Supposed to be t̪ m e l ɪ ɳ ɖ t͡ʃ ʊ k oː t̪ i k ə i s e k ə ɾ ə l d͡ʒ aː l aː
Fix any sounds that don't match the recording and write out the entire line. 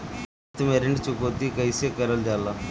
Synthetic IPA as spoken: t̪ m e ɾ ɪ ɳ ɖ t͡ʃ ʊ k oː t̪ i k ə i s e k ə ɾ ə l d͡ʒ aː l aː